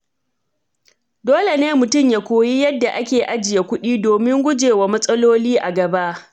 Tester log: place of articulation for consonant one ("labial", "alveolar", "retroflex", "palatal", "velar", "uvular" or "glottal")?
alveolar